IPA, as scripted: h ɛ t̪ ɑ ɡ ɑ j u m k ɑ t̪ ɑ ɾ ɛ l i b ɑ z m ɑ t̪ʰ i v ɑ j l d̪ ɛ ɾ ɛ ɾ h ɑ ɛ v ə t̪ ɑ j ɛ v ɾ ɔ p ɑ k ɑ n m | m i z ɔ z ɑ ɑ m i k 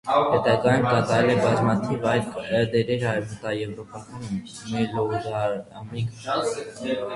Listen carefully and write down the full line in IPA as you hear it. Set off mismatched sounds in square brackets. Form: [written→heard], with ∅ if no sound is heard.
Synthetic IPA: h ɛ t̪ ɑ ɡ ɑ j u m k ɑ t̪ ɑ ɾ ɛ l [i→ɛ] b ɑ z m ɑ t̪ʰ i v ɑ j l d̪ ɛ ɾ ɛ ɾ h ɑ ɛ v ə t̪ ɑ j ɛ v ɾ ɔ p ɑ k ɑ n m | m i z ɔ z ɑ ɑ m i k